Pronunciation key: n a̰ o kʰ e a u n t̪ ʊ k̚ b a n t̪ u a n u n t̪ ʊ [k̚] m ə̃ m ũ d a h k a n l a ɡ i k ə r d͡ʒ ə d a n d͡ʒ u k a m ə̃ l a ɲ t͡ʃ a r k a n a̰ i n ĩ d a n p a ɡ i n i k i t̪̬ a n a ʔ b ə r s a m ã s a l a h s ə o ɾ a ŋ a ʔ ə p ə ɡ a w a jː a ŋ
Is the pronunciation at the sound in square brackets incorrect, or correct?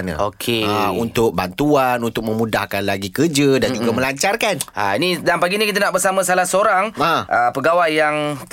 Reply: correct